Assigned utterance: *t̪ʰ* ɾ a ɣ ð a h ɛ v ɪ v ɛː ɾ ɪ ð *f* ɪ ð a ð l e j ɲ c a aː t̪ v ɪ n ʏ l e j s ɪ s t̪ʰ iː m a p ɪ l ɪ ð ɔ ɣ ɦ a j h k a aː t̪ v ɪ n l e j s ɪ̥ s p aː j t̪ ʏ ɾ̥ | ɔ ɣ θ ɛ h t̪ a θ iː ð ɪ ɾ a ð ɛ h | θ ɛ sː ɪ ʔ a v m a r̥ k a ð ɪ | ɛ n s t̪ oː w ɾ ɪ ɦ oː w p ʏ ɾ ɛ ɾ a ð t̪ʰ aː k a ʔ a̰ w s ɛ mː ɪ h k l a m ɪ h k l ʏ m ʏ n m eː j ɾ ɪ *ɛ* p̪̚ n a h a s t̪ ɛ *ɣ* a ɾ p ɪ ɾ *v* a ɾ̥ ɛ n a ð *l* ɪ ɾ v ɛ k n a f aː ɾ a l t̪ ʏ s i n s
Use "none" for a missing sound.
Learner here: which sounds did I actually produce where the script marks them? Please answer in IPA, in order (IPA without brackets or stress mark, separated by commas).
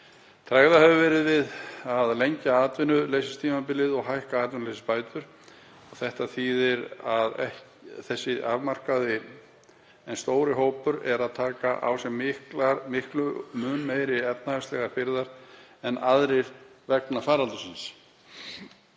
t̪ʰ, v, ɛ, ɣ, ð, ɾ